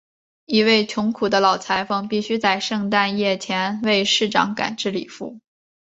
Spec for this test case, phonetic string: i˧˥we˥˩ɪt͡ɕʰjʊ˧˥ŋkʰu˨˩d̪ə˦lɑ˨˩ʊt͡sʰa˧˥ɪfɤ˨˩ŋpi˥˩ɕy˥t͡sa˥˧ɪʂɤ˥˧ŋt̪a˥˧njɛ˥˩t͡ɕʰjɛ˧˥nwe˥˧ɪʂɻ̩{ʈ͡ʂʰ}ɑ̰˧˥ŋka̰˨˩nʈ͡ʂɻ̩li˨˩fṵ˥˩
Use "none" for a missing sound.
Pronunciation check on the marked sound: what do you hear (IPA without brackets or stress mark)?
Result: ʈ͡ʂ